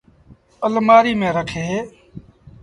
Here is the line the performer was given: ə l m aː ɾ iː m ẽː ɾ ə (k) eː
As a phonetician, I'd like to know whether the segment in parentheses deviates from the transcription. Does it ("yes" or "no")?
yes